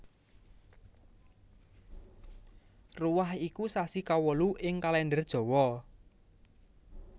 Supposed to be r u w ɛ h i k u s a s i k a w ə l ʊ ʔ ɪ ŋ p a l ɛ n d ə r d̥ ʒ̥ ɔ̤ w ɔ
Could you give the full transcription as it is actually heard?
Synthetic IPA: r u w a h i k u s a s i k a w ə l u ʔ ɪ ŋ k a l ɛ n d ə r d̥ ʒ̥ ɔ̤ w ɔ

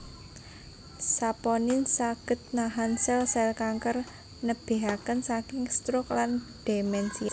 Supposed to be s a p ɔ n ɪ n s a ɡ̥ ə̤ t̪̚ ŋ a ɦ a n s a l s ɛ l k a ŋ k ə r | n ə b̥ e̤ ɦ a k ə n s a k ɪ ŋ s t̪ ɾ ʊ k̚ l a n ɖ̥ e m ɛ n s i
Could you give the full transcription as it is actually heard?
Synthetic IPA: s a p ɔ n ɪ n s a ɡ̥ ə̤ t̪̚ n a ɦ a n s ɛ l s ɛ l k a ŋ k ə r | n ə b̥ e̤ ɦ a k ə n s a k ɪ ŋ s t̪ ɾ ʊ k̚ l a n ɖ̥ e m ɛ n s i

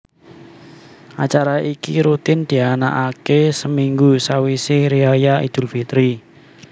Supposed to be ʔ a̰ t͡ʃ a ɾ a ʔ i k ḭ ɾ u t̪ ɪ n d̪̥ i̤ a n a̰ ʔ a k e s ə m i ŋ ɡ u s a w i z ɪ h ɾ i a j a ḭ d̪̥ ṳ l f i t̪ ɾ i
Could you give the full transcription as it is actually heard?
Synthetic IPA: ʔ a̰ t͡ʃ a ɾ a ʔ i k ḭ ɾ u t̪ ɪ n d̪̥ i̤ a n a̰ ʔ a k e s ə m i ŋ ɡ u s a w i s ɪ h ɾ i a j a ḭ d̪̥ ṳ l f i t̪ ɾ i

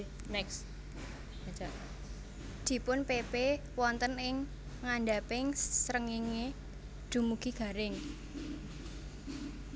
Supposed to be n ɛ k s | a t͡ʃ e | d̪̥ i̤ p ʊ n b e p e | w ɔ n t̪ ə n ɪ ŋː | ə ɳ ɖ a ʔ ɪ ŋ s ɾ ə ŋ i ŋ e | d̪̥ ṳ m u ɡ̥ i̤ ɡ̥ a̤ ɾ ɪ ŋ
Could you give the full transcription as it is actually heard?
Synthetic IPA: n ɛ k s | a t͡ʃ a | d̪̥ i̤ p ʊ n p e p e | w ɔ n t̪ ə n ɪ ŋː | a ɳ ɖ a p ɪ ŋ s ɾ ə ŋ i ŋ e | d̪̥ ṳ m u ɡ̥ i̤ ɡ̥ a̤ ɾ ɪ ŋ

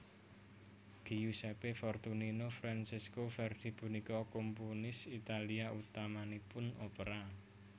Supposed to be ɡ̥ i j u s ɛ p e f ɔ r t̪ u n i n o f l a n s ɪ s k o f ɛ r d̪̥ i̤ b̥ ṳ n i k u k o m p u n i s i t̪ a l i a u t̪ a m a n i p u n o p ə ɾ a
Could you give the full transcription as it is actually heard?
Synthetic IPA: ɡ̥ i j u s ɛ p e f ɔ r t̪ u n i n o f ɾ a n s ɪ s k o f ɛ r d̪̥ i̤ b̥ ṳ n i k ɔ k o m p u n ɪ s i t̪ a l i a u t̪ a m a n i p ʊ n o p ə ɾ a

